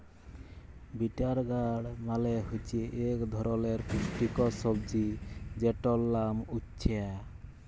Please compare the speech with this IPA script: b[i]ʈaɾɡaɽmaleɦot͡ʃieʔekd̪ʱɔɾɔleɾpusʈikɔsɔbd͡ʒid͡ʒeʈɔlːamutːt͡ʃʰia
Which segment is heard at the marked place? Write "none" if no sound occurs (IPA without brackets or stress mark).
i